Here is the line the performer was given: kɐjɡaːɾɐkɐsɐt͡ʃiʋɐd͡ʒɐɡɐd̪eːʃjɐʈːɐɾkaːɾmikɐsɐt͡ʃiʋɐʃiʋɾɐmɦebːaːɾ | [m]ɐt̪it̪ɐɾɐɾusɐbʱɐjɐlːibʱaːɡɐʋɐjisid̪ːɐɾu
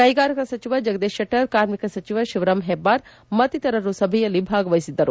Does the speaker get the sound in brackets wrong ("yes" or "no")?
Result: no